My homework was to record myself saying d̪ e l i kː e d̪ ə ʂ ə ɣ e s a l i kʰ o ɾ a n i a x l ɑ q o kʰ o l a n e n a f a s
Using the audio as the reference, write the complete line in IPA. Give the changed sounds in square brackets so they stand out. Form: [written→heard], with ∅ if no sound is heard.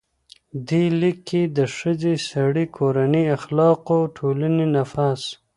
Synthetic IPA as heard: d̪ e l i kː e d̪ ə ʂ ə [ɣ→z] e s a [l→ɽ] i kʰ o ɾ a n i a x l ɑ q o [kʰ→ʈʰ] o l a n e n a f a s